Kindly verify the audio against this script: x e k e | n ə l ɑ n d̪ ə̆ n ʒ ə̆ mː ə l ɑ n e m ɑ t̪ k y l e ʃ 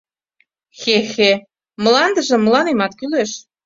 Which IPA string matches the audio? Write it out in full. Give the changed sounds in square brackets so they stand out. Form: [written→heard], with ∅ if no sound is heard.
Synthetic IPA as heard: x e [k→x] e | [n→m] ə l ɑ n d̪ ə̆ [n→∅] ʒ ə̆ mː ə l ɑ n e m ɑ t̪ k y l e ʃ